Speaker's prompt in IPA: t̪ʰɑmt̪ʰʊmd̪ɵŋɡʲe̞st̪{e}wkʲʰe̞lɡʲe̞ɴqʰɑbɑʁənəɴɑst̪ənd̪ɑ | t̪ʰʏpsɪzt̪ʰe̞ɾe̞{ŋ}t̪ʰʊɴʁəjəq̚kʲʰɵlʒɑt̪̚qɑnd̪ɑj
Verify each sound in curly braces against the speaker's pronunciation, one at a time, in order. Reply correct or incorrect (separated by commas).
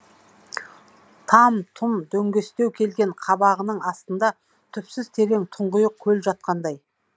correct, correct